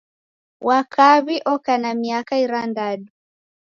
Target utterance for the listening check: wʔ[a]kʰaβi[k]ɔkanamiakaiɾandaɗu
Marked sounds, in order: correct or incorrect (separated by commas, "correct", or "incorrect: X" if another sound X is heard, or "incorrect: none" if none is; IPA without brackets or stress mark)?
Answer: correct, incorrect: ʔ